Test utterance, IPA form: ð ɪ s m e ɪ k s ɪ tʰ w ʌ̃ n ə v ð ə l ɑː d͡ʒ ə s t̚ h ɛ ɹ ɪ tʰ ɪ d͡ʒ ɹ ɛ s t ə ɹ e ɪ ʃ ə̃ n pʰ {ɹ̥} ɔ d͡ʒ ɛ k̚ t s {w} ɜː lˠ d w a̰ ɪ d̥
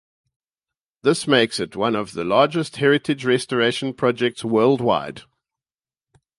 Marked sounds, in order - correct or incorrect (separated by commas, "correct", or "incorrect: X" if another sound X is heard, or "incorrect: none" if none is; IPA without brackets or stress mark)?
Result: correct, correct